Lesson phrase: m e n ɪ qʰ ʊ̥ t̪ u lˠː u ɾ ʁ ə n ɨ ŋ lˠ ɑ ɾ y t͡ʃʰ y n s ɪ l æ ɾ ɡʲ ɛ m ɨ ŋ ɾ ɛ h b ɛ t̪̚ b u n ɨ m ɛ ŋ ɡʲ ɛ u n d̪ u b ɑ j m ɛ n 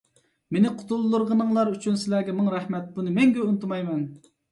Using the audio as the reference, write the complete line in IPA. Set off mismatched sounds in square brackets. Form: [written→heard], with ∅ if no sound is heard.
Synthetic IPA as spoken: m e n ɪ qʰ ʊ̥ t̪ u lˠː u ɾ ʁ ə n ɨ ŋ lˠ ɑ ɾ y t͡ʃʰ y n s ɪ l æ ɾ ɡʲ ɛ m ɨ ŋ ɾ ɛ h [b→m] ɛ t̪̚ b u n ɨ m ɛ ŋ ɡʲ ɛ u n [d̪→t̪] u [b→m] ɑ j m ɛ n

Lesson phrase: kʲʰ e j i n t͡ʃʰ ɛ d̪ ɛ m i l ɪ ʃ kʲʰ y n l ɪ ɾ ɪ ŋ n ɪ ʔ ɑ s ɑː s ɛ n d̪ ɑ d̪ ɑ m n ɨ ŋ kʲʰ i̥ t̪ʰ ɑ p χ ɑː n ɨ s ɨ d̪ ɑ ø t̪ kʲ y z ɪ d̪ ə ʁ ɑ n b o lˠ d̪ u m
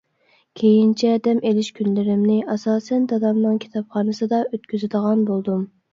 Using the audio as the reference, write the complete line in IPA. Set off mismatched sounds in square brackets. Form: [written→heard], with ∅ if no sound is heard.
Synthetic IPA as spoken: kʲʰ e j i n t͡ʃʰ ɛ d̪ ɛ m [i→e] l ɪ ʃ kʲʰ y n l ɪ ɾ ɪ [ŋ→m] n ɪ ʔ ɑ s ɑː s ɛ n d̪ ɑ d̪ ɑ m n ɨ ŋ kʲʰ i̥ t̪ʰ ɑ p χ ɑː n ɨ s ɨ d̪ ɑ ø t̪ kʲ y z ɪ d̪ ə ʁ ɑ n b o lˠ d̪ u m

